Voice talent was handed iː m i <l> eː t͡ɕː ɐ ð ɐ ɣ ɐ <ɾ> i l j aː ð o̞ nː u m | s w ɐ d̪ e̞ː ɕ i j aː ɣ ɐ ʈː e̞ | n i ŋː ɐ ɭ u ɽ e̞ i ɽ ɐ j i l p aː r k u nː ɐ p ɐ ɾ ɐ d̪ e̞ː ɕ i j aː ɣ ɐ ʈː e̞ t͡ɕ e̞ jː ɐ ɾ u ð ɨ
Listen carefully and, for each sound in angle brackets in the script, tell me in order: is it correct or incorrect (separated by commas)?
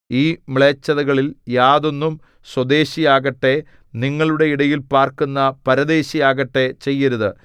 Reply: incorrect, incorrect